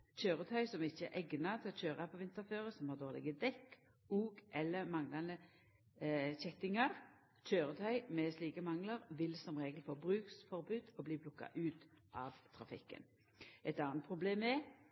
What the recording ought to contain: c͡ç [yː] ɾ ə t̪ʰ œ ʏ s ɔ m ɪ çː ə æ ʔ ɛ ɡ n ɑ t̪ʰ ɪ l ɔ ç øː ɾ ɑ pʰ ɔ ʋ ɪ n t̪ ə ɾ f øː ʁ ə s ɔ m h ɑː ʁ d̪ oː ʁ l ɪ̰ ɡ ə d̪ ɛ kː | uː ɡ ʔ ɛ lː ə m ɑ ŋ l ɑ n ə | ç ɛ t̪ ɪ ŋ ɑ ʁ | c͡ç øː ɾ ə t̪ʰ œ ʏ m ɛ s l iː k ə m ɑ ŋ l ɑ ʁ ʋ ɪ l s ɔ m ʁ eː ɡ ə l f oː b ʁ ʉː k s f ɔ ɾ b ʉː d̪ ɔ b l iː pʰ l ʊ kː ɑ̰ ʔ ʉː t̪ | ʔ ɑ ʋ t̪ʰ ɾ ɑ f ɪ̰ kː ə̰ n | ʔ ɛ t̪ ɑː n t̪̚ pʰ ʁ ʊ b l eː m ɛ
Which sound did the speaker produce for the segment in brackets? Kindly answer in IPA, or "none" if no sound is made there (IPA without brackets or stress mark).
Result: øː